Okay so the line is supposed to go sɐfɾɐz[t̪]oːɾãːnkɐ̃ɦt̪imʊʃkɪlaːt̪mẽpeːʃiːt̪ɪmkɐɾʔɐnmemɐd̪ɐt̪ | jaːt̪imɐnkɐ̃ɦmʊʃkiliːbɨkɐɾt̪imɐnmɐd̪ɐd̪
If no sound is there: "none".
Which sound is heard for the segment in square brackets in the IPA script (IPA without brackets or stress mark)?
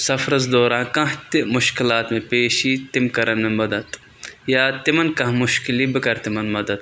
d̪